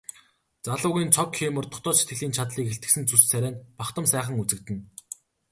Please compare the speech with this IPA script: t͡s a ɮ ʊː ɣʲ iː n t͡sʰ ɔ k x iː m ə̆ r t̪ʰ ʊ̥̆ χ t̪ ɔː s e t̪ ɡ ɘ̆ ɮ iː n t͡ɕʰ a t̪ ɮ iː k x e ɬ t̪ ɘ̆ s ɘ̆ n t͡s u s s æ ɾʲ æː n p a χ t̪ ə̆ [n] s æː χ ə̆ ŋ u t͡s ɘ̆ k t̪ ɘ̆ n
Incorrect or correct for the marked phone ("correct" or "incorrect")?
incorrect